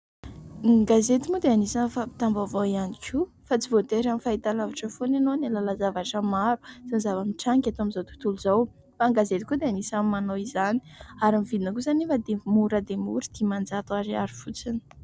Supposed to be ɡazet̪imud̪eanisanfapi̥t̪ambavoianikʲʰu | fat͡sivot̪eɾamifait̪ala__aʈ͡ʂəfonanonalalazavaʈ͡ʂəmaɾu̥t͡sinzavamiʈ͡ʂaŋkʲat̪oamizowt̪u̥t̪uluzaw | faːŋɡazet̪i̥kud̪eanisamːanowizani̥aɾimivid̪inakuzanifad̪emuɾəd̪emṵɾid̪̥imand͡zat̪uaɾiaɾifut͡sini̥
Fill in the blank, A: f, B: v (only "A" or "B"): B